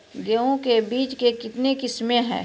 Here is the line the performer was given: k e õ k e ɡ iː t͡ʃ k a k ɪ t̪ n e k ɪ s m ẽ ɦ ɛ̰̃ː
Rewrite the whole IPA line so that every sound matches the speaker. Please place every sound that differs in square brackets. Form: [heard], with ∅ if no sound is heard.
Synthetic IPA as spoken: [ɡ] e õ k e [b] iː t͡ʃ k [e] k ɪ t̪ n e k ɪ s m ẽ ɦ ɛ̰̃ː